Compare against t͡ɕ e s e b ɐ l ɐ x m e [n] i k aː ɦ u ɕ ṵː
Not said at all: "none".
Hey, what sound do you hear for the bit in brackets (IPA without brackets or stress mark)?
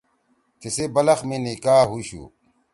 n